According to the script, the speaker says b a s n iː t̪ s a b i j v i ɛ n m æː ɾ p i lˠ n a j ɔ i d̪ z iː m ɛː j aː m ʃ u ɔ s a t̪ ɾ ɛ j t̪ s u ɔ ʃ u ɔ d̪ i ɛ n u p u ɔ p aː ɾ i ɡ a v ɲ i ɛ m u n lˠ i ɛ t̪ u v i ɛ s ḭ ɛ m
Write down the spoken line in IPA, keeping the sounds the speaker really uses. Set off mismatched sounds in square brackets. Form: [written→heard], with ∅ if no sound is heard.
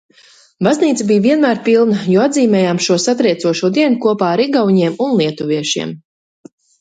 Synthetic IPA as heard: b a [s→z] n iː t̪ s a b i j v i ɛ n m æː ɾ p i lˠ n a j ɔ [i→a] d̪ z iː m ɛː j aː m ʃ u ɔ s a t̪ ɾ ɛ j t̪ s u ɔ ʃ u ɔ d̪ i ɛ n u [p→k] u ɔ p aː ɾ i ɡ a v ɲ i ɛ m u n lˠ i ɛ t̪ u v i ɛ [s→ʃ] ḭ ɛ m